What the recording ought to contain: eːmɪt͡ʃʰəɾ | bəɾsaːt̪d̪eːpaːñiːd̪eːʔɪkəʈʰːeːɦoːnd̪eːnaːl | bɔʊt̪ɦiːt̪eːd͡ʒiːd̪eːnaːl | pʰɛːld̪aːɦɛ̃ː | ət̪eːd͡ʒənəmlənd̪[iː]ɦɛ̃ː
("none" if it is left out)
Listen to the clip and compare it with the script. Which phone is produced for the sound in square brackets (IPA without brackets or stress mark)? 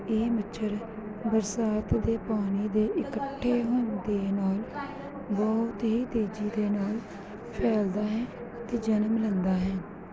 aː